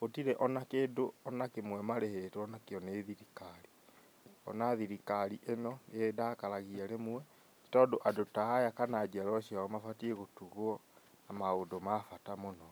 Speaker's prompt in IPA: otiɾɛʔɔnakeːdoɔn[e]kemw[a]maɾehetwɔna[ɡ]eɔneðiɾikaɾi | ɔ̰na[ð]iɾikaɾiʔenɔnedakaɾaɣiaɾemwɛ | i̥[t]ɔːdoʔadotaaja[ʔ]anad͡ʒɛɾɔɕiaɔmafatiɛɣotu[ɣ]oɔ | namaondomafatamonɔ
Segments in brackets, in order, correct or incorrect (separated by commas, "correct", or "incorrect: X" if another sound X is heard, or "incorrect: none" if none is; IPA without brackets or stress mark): incorrect: a, incorrect: ɛ, incorrect: k, correct, correct, incorrect: k, correct